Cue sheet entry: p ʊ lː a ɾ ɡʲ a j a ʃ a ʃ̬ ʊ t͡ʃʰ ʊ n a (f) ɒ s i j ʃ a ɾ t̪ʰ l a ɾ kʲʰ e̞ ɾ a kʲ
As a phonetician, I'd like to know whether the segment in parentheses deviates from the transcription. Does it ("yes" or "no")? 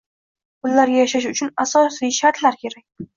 yes